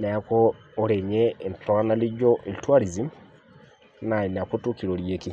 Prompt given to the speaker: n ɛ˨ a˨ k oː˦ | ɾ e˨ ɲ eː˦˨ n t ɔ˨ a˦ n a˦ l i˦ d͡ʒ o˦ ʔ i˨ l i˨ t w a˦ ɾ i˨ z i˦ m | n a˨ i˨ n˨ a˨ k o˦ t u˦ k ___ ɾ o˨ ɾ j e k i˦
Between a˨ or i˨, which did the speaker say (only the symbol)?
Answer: i˨